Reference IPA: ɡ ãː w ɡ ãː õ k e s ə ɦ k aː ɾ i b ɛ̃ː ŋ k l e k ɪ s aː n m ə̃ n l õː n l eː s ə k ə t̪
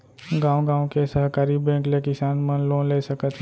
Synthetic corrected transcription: ɡ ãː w ɡ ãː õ k e s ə ɦ k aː ɾ i b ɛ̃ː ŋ k l e k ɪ s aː n m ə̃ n l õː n l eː s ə k ə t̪